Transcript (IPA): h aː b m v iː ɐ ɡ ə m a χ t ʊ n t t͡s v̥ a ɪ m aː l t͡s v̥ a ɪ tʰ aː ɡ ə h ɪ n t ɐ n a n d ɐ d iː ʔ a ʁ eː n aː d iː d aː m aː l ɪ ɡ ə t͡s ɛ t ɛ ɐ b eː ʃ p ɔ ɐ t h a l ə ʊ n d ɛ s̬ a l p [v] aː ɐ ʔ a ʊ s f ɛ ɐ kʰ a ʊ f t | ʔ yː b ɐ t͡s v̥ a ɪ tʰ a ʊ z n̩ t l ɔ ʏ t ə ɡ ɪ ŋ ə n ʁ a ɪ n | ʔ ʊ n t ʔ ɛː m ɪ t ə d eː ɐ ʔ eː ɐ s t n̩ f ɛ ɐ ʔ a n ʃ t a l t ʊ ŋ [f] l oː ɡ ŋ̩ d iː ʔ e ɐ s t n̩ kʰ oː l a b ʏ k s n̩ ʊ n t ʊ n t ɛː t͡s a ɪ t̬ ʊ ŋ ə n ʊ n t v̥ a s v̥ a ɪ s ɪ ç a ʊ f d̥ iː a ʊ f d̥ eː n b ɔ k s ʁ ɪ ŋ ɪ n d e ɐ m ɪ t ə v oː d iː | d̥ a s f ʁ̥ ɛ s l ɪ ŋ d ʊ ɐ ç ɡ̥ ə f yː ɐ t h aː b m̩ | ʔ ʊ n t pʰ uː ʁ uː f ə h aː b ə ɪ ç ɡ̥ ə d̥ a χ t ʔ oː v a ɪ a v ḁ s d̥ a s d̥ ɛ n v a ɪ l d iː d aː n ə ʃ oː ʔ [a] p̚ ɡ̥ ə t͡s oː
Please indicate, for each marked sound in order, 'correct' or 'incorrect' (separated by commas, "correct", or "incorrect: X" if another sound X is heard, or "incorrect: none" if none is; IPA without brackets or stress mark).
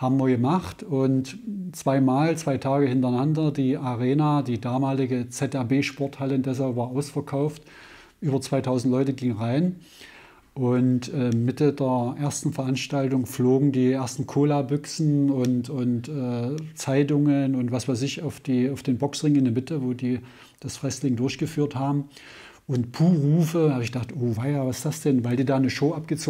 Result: correct, correct, correct